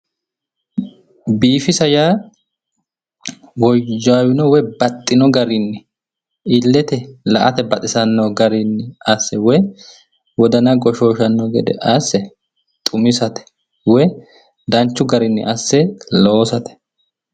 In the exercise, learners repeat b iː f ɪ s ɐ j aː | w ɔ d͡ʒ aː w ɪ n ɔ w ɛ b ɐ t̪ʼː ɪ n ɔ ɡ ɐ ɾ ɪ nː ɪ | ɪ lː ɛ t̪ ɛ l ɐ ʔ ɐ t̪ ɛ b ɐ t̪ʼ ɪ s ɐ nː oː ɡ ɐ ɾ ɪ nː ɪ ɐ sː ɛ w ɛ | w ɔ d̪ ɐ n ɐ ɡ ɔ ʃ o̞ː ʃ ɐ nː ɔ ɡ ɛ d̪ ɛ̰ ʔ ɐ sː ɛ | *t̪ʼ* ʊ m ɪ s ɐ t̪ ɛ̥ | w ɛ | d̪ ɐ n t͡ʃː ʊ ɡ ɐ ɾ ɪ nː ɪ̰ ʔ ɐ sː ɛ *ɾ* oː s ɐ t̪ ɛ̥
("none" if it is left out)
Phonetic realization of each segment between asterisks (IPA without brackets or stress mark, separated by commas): t̪ʼ, l